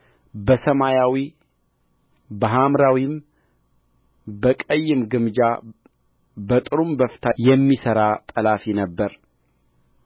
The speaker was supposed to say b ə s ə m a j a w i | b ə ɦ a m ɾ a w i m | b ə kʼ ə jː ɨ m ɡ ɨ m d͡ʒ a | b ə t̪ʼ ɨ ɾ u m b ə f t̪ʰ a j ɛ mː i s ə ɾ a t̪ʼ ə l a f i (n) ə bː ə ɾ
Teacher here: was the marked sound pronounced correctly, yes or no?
yes